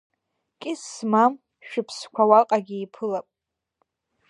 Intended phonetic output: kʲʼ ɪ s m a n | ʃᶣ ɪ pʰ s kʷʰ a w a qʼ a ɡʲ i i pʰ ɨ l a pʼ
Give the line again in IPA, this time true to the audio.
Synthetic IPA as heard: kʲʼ ɪ s m a m | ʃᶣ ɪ pʰ s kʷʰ a w a qʼ a ɡʲ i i pʰ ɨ l a pʼ